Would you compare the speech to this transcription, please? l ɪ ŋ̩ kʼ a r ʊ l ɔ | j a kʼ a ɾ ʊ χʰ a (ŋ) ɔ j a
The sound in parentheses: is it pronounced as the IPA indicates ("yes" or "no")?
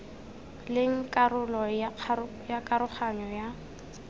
no